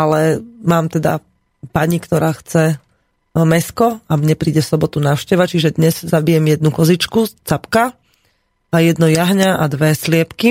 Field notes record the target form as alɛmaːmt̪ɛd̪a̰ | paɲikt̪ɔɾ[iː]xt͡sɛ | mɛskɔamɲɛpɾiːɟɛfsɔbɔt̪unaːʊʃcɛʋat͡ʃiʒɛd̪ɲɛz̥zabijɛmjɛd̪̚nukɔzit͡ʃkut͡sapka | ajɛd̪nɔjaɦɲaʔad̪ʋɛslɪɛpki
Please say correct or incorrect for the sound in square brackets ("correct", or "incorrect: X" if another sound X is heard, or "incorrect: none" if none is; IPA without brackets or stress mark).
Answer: incorrect: aː